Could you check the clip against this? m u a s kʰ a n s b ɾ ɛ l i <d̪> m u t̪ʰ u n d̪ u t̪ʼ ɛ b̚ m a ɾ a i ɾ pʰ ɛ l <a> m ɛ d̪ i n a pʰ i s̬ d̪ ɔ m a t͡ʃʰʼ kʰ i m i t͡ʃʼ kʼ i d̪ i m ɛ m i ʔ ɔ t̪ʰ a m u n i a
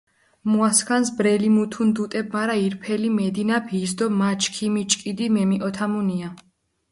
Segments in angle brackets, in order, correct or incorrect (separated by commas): incorrect, incorrect